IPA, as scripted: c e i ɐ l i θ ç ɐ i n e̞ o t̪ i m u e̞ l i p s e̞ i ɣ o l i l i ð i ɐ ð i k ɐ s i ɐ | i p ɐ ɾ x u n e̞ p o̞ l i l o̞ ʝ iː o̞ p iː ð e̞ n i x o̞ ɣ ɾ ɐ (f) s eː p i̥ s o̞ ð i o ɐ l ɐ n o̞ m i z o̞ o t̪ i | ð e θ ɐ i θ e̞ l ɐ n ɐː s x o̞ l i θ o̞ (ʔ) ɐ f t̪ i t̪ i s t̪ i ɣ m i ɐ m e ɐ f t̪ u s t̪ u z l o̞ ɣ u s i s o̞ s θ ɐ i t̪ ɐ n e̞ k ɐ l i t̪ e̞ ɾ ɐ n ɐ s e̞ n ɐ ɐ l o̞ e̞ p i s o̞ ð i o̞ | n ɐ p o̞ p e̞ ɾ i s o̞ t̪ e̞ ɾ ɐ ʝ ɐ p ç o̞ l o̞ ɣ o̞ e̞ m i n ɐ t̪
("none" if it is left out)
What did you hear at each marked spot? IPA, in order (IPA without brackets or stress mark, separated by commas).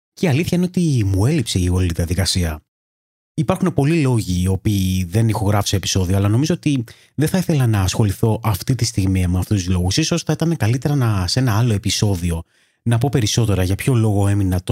f, ʔ